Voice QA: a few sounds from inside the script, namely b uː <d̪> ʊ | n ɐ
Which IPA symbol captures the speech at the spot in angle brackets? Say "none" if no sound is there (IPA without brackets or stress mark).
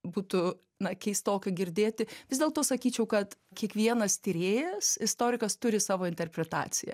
t̪